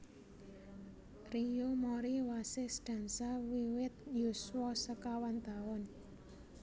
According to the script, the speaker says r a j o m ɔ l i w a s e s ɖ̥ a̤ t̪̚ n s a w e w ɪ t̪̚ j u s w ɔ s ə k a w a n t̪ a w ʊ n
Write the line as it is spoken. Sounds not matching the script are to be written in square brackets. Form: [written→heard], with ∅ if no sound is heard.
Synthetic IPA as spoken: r [a→i] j o m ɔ [l→ɾ] i w a s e s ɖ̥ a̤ [t̪̚→∅] n s a w [e→i] w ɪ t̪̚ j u s w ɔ s ə k a w a n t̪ a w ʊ n